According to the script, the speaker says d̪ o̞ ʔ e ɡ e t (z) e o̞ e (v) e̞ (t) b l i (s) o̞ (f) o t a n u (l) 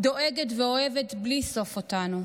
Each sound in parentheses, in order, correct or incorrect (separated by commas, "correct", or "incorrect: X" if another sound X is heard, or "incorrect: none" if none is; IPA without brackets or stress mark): incorrect: v, correct, correct, correct, correct, incorrect: none